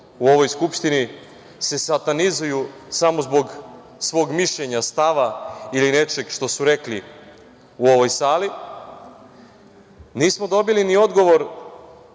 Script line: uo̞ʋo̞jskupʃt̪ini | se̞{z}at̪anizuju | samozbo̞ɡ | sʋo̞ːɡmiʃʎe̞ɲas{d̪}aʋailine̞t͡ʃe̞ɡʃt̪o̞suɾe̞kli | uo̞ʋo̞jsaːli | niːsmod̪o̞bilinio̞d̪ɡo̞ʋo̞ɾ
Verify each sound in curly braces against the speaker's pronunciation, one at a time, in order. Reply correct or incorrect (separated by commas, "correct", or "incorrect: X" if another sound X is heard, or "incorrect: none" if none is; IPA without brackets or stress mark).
incorrect: s, incorrect: t̪